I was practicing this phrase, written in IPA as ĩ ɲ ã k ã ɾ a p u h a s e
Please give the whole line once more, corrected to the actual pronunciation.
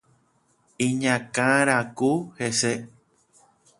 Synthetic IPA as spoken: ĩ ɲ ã k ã ɾ a k u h e s e